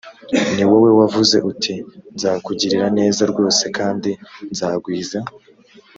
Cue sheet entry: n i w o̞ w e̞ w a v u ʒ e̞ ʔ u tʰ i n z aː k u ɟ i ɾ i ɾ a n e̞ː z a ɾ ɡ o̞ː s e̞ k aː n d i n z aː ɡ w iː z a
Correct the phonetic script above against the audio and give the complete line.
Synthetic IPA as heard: n i w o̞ w e̞ w a v u z e̞ ʔ u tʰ i n z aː k u ɟ i ɾ i ɾ a n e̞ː z a ɾ ɡ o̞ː s e̞ k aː n d i n z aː ɡ w iː z a